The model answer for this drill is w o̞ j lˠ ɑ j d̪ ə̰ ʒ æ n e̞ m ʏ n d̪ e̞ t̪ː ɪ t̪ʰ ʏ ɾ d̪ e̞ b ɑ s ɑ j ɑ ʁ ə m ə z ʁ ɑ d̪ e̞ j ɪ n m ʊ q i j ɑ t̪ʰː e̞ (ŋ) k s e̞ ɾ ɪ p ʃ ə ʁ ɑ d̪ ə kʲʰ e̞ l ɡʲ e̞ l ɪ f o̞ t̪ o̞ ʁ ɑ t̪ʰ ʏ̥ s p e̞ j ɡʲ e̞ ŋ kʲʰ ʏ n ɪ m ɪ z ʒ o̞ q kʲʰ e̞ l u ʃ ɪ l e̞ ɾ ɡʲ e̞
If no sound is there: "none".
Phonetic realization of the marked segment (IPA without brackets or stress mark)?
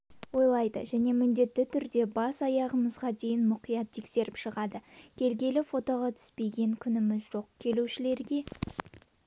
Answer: none